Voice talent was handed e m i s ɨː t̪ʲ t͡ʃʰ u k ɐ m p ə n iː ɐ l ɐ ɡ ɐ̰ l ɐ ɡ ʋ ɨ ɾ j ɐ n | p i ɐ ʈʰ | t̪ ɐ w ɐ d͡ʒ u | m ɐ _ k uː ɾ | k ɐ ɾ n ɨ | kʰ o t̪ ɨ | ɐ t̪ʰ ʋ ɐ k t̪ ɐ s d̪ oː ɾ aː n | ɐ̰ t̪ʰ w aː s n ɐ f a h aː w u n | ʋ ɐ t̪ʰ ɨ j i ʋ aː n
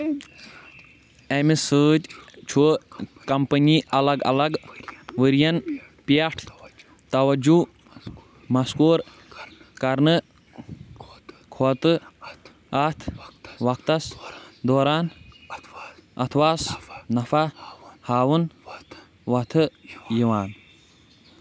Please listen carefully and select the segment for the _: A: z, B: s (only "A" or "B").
B